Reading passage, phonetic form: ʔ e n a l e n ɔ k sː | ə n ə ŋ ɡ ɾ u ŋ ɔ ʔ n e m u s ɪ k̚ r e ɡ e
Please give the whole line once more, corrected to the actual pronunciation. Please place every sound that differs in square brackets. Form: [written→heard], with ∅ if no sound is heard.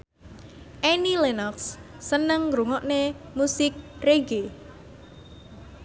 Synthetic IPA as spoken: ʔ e n [a→i] l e n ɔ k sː | ə n ə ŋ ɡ ɾ u ŋ ɔ ʔ n e m u s ɪ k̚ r e ɡ e